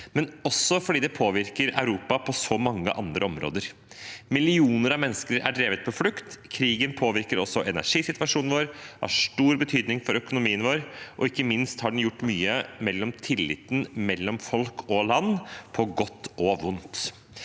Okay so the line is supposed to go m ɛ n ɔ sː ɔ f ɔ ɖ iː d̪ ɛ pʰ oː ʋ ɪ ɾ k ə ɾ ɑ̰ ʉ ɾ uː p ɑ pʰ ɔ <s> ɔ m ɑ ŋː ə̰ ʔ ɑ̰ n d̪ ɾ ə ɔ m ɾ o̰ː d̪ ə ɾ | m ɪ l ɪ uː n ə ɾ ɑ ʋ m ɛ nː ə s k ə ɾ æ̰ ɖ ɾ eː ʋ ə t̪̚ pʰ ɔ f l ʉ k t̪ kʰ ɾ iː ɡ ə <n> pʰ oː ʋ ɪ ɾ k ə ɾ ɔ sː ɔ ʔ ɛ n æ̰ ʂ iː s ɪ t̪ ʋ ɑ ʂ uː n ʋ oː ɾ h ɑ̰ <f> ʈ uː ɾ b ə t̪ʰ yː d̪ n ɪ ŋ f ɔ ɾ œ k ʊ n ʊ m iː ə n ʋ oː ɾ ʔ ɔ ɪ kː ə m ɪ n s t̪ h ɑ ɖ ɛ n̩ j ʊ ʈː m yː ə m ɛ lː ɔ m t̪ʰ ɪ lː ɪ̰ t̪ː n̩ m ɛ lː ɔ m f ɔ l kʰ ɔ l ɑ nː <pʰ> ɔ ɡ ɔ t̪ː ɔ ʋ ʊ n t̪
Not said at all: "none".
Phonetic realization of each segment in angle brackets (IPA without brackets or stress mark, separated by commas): s, n, ʂ, pʰ